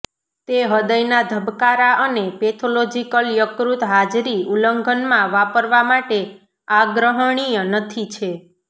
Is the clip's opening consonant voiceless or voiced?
voiceless